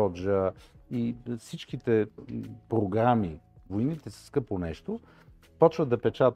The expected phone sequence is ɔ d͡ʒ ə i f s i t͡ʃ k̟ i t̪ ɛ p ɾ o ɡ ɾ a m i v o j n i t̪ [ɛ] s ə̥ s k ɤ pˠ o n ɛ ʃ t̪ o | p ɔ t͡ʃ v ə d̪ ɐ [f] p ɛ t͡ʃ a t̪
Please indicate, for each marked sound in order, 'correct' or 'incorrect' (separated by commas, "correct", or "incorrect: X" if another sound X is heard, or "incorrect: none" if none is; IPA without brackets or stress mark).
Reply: correct, incorrect: none